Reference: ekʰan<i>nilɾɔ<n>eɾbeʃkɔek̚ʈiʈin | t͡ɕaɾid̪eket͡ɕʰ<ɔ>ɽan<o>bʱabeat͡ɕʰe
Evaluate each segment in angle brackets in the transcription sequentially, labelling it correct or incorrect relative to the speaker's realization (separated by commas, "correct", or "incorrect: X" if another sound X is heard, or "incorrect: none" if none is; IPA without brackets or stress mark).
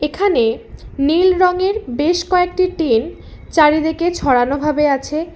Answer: incorrect: e, incorrect: ŋ, correct, correct